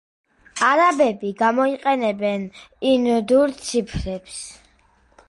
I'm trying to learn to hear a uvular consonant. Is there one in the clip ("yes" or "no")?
yes